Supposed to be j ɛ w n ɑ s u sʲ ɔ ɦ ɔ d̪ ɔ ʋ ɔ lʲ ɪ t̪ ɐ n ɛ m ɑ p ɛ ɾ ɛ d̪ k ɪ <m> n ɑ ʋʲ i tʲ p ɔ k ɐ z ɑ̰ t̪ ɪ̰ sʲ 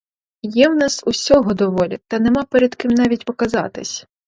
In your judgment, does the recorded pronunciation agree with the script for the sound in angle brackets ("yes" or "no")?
yes